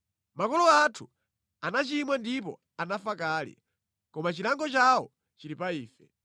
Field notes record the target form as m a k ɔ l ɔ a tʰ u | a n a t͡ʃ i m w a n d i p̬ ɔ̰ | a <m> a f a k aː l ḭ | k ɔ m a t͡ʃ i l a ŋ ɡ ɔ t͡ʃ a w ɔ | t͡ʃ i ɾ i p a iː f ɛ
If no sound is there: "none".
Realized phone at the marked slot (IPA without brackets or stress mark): n